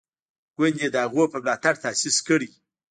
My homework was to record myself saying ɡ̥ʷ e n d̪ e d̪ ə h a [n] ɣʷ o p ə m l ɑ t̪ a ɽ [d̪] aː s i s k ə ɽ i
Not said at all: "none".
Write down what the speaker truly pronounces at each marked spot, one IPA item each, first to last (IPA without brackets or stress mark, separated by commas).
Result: none, t̪